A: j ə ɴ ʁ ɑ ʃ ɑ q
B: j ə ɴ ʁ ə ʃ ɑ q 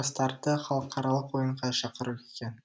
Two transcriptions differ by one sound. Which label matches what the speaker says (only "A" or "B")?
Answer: A